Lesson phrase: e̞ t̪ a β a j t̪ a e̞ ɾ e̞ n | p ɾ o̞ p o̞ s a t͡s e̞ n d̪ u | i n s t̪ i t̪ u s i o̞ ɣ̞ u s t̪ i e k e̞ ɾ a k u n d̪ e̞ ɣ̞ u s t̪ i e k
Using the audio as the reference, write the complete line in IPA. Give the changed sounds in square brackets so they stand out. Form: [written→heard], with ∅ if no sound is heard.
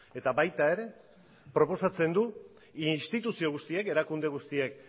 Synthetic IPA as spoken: e̞ t̪ a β a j t̪ a e̞ ɾ e̞ [n→∅] | p ɾ o̞ p o̞ s a t͡s e̞ n d̪ u | i n s t̪ i t̪ u s i o̞ ɣ̞ u s t̪ i e k e̞ ɾ a k u n d̪ e̞ ɣ̞ u s t̪ i e k